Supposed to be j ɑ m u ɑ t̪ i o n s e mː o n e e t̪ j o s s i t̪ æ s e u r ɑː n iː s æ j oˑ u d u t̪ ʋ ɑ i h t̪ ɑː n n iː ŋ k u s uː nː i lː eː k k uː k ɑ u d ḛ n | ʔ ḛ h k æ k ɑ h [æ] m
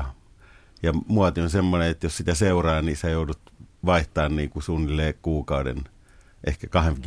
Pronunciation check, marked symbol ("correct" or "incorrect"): incorrect